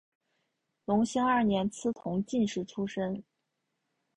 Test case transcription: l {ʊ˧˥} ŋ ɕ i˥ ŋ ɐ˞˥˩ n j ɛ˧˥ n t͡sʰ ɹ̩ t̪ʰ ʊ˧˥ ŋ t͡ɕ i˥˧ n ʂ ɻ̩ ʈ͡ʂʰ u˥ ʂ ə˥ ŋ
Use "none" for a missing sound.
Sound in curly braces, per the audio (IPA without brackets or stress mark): ʊ˧˥